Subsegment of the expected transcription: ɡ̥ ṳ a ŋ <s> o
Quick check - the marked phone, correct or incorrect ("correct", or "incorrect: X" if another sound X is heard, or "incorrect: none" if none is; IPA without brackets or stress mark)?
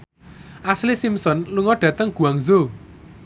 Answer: incorrect: z